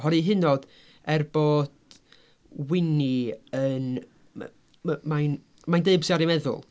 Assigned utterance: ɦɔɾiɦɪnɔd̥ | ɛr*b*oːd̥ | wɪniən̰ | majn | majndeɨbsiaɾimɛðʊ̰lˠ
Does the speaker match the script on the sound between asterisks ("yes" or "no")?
yes